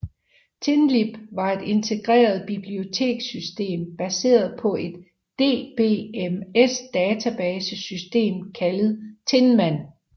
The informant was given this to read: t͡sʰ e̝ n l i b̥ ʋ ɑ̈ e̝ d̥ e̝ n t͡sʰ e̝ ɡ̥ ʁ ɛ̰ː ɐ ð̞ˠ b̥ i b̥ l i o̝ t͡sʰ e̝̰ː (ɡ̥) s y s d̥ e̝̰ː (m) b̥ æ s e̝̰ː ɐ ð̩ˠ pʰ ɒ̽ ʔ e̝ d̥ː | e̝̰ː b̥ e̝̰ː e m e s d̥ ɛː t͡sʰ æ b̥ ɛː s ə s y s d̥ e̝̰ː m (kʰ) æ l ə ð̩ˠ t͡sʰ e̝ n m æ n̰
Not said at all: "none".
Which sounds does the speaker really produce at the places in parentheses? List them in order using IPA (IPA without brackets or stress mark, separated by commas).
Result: ɡ̥, m, kʰ